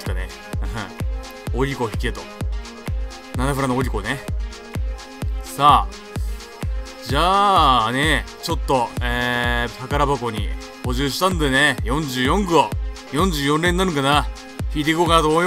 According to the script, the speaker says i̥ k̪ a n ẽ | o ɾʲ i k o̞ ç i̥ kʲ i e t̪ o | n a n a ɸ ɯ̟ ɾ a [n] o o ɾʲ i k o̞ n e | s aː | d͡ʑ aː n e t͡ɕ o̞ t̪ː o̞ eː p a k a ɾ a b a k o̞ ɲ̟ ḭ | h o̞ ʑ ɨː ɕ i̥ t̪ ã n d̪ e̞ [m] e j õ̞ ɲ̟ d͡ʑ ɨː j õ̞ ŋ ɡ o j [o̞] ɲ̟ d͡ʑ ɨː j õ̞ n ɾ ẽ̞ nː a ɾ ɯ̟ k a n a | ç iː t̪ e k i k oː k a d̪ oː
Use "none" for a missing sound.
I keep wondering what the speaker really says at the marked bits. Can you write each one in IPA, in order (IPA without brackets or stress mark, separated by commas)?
n, n, õ̞